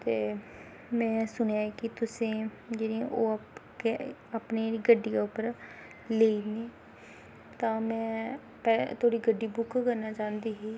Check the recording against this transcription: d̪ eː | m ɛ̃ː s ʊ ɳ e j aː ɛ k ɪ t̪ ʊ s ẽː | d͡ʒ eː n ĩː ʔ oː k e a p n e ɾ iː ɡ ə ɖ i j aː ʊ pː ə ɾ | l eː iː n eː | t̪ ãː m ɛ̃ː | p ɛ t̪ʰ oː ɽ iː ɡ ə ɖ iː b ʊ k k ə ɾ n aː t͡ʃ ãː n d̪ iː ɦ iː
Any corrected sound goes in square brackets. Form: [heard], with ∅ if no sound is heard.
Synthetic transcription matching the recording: [t̪] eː | m ɛ̃ː s ʊ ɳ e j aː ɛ k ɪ t̪ ʊ s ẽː | d͡ʒ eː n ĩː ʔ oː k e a p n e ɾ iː ɡ ə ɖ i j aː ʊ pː ə ɾ | l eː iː n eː | t̪ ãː m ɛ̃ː | p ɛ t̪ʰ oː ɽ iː ɡ ə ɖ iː b ʊ k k ə ɾ n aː t͡ʃ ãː n d̪ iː ɦ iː

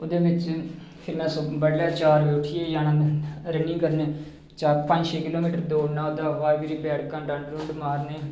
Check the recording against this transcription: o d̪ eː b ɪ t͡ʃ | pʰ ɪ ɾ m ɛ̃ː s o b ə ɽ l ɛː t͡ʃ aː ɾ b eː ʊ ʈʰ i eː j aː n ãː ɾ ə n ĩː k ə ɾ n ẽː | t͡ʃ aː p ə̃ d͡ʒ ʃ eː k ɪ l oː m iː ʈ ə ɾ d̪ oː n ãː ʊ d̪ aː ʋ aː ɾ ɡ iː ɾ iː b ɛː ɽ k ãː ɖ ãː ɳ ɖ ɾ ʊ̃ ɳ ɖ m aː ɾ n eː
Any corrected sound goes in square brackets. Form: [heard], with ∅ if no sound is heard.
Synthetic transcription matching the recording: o d̪ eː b ɪ t͡ʃ | pʰ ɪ ɾ m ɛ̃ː s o b ə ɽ l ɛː t͡ʃ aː ɾ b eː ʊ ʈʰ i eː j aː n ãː ɾ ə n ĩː k ə ɾ n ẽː | t͡ʃ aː p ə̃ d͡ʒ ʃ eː k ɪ l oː m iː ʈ ə ɾ d̪ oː n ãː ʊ d̪ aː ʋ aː ɾ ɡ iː ɾ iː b ɛː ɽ k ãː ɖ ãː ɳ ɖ ɾ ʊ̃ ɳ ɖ m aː ɾ n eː

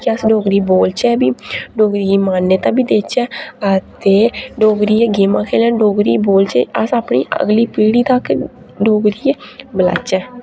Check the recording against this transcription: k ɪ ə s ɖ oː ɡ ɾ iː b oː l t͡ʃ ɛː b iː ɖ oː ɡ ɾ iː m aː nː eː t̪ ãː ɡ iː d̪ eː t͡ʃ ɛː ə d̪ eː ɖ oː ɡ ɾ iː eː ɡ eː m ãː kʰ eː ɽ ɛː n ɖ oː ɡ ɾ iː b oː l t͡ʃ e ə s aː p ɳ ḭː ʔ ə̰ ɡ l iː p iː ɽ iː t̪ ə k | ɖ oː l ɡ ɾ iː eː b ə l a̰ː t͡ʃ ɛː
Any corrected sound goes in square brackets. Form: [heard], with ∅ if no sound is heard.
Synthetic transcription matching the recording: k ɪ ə s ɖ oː ɡ ɾ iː b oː l t͡ʃ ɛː b iː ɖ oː ɡ ɾ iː m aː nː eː t̪ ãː [b] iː d̪ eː t͡ʃ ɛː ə [t̪] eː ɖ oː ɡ ɾ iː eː ɡ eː m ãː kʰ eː [l] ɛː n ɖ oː ɡ ɾ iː b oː l t͡ʃ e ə s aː p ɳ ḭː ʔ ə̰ ɡ l iː p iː ɽ iː t̪ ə k | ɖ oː [∅] ɡ ɾ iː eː b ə l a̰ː t͡ʃ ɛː

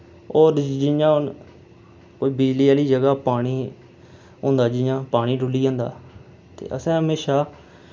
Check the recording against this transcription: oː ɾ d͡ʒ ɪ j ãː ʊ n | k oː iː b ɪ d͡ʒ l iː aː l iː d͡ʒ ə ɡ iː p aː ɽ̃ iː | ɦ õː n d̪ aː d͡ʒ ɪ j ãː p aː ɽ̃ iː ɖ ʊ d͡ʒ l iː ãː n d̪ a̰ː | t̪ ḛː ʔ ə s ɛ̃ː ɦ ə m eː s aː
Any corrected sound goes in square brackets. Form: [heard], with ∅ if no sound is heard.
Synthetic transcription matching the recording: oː ɾ d͡ʒ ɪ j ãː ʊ n | k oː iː b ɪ d͡ʒ l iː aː l iː d͡ʒ ə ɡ [aː] p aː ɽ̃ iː | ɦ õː n d̪ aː d͡ʒ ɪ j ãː p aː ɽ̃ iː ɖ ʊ [∅] l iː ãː n d̪ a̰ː | t̪ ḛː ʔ ə s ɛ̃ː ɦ ə m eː [ʃ] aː

